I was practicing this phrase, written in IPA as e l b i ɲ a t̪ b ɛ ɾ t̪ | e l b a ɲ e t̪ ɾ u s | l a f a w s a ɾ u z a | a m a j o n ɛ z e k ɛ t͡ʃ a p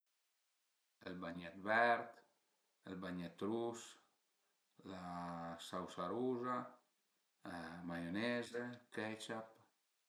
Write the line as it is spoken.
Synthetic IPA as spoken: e l b a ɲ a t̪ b ɛ ɾ t̪ | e l b a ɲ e t̪ ɾ u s | l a s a w s a ɾ u z a | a m a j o n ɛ z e k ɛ t͡ʃ a p